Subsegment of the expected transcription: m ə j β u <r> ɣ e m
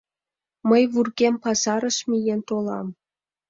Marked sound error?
no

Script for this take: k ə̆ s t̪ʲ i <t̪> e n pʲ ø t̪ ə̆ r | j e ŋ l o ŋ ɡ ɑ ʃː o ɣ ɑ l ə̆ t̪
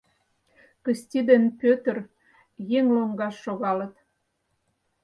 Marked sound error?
yes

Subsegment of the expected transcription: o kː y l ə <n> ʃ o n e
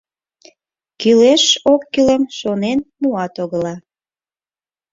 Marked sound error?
yes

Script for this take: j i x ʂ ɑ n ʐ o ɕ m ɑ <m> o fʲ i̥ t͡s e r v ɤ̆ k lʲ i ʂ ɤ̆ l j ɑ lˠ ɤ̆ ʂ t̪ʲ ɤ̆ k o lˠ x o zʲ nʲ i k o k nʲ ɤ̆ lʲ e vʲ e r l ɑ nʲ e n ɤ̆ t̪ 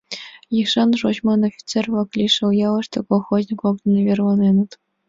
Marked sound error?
yes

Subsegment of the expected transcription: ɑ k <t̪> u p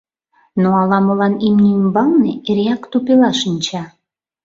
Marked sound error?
no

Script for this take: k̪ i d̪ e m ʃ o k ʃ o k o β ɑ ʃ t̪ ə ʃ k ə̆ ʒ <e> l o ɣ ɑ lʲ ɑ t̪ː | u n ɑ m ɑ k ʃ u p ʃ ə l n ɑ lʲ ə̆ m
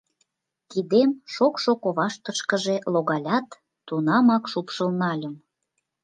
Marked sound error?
no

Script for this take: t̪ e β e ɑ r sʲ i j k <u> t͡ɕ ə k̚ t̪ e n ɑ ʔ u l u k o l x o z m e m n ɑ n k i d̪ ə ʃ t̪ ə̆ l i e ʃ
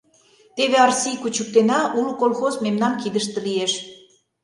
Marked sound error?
no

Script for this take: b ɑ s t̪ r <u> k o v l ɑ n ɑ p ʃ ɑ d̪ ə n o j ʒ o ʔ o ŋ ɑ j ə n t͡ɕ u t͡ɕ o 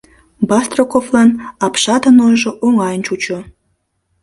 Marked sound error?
yes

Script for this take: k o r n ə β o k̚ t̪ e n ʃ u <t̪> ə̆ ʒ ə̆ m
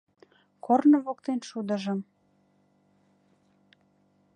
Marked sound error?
yes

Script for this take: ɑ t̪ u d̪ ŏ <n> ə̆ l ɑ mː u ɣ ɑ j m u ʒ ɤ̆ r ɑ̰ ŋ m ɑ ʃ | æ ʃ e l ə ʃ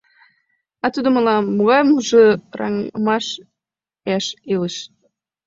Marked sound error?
yes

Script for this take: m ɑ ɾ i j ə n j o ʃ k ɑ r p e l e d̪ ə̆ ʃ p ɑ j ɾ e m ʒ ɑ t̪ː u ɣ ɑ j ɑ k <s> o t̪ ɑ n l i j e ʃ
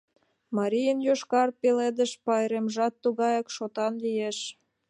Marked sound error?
yes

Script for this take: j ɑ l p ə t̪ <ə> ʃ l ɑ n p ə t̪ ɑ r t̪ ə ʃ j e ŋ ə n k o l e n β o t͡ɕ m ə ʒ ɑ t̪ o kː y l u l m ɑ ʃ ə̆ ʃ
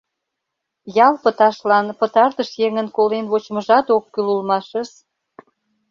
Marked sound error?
yes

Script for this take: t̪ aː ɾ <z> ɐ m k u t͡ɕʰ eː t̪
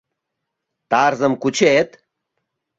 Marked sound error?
no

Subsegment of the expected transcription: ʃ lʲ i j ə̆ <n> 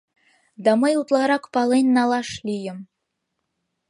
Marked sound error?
yes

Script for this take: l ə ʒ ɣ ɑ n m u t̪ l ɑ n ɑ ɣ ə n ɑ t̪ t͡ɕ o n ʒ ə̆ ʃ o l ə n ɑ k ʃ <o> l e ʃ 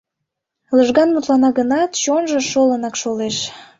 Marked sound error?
no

